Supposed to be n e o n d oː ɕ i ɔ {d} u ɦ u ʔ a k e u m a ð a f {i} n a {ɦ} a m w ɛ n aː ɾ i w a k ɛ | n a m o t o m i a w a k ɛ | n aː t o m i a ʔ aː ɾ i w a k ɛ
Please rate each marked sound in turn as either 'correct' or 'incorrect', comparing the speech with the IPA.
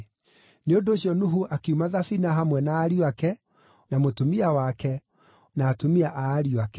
incorrect: n, correct, correct

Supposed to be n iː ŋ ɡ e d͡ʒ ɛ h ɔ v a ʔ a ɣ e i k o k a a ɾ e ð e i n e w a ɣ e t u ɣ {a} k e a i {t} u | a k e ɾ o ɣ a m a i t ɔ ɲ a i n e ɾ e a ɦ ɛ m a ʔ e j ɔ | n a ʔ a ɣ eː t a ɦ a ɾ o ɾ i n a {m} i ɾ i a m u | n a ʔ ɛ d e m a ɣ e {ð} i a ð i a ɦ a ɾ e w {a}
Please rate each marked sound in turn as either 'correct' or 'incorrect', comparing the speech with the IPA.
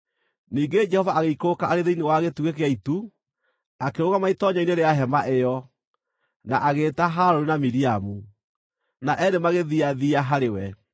incorrect: e, correct, correct, correct, incorrect: ɛ

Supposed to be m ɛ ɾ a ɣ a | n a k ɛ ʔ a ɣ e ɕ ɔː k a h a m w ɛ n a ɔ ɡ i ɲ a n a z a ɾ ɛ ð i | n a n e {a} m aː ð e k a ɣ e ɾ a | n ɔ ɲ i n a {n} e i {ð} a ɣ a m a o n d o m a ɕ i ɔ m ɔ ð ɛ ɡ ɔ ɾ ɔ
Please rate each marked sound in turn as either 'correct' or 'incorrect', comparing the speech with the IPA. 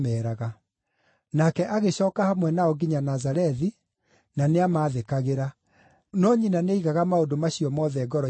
correct, correct, incorrect: ɣ

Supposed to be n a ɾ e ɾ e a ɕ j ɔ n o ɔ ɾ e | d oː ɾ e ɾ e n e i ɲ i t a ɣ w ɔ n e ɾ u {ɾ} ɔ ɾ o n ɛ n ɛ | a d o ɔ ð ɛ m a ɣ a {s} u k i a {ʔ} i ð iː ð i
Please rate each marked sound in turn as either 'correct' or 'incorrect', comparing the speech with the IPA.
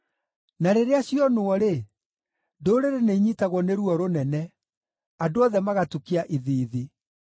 incorrect: none, incorrect: t, correct

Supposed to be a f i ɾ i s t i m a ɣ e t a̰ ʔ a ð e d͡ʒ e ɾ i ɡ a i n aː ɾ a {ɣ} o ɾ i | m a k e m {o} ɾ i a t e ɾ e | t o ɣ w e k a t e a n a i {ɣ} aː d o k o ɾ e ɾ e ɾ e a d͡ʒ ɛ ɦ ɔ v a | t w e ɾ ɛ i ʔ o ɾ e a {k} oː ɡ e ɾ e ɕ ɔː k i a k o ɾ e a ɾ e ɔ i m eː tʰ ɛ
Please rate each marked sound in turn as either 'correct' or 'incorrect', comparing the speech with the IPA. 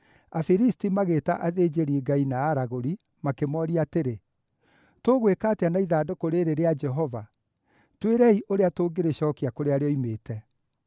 correct, incorrect: ɔ, incorrect: ð, incorrect: t

